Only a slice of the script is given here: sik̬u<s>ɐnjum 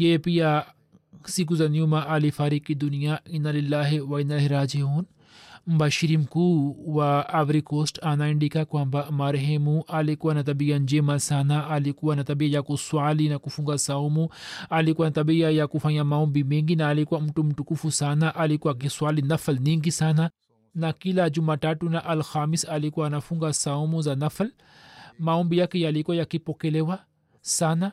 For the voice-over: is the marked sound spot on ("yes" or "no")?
no